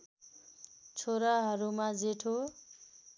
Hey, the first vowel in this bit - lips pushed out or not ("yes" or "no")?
yes